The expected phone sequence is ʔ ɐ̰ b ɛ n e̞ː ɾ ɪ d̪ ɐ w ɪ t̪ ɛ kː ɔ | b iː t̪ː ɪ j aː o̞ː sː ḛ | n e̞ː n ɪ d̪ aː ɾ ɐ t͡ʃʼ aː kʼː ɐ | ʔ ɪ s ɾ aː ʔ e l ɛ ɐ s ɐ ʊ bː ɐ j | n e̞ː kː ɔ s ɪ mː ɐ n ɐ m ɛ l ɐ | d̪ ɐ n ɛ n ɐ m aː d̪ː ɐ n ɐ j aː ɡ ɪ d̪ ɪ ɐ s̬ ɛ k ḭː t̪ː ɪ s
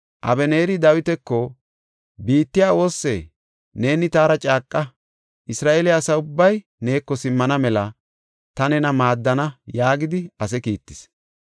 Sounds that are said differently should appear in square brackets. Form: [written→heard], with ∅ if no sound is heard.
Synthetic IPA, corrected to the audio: ʔ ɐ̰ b ɛ n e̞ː ɾ ɪ d̪ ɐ w ɪ t̪ ɛ kː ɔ | b iː t̪ː ɪ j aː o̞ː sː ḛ | n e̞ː n ɪ [d̪→t̪] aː ɾ ɐ t͡ʃʼ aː kʼː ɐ | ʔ ɪ s ɾ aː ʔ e l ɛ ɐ s ɐ ʊ bː ɐ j | n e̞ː kː ɔ s ɪ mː ɐ n ɐ m ɛ l ɐ | [d̪→t̪] ɐ n ɛ n ɐ m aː d̪ː ɐ n ɐ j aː ɡ ɪ d̪ ɪ ɐ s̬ ɛ k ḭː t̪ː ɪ s